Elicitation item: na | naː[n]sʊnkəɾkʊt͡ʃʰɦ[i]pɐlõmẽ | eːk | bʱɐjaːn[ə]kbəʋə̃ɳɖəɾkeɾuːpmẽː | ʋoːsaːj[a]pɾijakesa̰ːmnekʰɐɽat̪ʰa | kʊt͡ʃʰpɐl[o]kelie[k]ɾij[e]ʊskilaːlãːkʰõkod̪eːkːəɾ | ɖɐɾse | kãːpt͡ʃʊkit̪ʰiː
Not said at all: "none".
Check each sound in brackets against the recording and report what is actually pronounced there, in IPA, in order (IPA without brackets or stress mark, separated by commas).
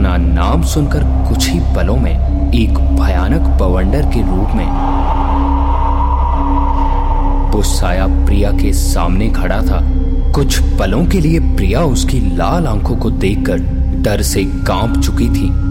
m, i, ə, a, õ, p, a